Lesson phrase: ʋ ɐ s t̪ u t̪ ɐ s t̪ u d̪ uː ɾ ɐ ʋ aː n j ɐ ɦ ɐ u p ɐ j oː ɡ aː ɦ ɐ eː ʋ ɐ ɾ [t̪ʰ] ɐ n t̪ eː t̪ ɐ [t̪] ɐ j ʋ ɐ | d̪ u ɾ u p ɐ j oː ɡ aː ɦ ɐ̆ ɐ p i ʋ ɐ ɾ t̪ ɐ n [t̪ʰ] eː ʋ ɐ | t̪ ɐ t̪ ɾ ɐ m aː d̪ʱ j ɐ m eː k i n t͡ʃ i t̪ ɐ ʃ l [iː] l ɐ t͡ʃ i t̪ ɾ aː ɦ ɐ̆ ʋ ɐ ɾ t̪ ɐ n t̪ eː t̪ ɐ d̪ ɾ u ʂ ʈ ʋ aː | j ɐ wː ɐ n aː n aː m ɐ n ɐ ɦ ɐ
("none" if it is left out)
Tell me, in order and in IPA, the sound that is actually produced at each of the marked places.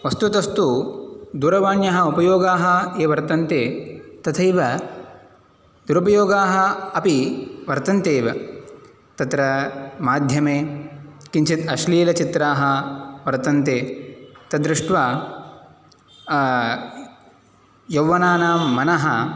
t̪, t̪ʰ, t̪, iː

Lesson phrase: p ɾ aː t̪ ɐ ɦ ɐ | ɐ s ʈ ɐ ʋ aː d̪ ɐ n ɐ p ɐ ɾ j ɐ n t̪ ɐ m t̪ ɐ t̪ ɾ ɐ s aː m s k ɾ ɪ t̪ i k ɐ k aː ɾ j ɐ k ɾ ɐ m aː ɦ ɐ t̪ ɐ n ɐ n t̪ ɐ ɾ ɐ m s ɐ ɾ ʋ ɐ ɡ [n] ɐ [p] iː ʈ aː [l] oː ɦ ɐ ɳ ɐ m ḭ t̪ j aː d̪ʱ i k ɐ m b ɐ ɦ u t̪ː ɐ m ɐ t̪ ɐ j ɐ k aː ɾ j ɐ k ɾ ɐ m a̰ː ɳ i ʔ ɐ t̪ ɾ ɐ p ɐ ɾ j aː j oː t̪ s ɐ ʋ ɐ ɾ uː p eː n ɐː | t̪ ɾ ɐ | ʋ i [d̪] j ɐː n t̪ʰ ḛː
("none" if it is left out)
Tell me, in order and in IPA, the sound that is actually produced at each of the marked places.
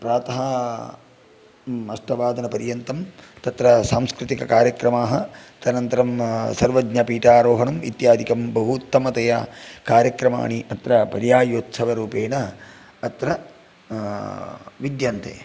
ɲ, p, ɾ, d̪

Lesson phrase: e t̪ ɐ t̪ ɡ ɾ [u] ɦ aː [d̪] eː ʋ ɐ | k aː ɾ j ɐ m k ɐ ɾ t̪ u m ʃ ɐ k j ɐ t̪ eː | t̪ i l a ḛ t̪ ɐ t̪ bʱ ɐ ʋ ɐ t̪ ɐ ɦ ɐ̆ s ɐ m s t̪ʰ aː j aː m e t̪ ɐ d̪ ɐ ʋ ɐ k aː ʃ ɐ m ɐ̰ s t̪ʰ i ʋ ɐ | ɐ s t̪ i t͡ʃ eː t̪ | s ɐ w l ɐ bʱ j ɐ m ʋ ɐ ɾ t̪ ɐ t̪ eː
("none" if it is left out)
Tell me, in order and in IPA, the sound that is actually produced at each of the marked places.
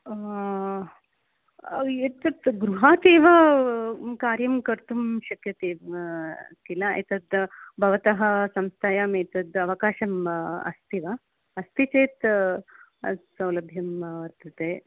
u, t̪

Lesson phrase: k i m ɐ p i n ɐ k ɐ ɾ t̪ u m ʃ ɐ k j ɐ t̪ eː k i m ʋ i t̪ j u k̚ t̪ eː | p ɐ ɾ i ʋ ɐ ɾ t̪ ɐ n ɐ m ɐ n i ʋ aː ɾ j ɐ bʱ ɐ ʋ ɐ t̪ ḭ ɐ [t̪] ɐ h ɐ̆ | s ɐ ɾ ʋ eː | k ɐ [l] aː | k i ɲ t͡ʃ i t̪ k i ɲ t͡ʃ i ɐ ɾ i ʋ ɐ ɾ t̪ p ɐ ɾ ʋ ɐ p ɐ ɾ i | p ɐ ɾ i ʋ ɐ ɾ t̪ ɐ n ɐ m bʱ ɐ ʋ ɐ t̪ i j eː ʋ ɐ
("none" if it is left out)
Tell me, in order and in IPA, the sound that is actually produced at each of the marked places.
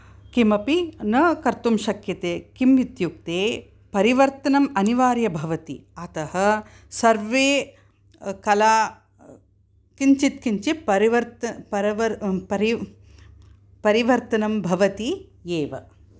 t̪, l

